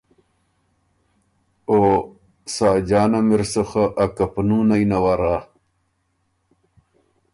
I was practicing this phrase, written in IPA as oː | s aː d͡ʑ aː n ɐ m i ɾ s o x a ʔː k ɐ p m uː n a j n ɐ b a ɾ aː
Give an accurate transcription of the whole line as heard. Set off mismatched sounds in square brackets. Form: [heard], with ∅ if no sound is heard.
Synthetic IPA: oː | s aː d͡ʑ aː n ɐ m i ɾ s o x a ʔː k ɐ p [n] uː n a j n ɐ [w] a ɾ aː